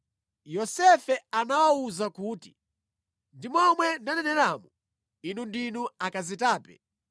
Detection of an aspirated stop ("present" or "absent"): absent